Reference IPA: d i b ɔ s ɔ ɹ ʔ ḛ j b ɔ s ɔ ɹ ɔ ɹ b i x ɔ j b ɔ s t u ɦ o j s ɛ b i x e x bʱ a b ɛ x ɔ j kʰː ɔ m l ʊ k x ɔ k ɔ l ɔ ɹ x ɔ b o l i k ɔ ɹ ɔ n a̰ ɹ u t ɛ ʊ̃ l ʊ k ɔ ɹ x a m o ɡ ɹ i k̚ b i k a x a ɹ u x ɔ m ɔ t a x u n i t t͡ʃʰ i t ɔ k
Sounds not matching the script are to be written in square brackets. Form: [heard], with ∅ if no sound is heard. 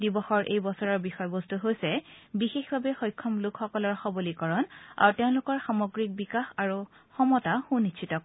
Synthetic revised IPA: d i b ɔ [x] ɔ ɹ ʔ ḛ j b ɔ s ɔ ɹ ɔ ɹ b i x ɔ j b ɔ s t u ɦ o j s ɛ b i x e x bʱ a b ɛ x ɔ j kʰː ɔ m l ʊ k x ɔ k ɔ l ɔ ɹ x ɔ b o l i k ɔ ɹ ɔ n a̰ ɹ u t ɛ ʊ̃ l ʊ k ɔ ɹ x a m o ɡ ɹ i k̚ b i k a x a ɹ u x ɔ m ɔ t a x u n i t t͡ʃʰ i t ɔ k